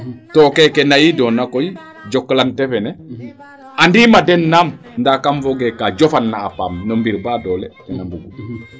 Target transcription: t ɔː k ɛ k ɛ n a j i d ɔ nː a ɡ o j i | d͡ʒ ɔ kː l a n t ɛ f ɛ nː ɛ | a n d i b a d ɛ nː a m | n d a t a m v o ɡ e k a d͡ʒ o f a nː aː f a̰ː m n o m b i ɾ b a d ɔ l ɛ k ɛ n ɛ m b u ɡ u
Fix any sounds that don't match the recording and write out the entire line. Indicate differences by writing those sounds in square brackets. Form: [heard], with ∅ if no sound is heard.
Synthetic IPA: t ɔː k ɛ k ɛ n a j i d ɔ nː a [k] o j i | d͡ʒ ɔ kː l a n t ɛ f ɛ [n] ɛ | a n d i [m] a d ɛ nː a m | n d a [k] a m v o ɡ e k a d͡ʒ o f a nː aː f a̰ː m n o m b i ɾ b a d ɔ l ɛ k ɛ n [a] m b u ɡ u